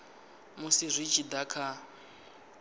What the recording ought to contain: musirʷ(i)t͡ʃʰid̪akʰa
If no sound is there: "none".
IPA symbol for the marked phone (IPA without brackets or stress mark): i